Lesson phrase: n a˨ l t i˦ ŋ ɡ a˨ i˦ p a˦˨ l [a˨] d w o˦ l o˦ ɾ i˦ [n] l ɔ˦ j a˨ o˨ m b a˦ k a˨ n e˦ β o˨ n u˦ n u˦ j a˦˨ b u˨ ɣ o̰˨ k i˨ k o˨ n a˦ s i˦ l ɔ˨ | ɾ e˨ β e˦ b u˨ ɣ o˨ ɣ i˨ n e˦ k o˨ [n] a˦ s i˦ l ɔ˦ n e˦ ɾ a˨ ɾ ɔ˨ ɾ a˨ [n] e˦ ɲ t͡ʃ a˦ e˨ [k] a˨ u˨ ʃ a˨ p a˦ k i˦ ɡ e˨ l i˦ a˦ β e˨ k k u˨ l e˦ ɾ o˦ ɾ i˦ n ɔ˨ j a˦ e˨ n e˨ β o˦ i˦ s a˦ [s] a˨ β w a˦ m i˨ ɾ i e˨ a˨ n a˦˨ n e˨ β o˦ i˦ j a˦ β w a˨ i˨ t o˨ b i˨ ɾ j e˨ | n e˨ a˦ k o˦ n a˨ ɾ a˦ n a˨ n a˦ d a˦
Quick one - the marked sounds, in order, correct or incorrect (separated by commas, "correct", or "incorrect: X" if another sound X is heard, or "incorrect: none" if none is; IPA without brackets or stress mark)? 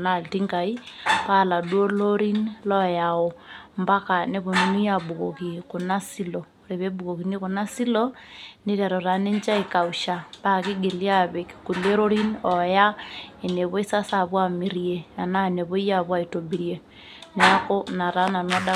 correct, correct, correct, correct, correct, correct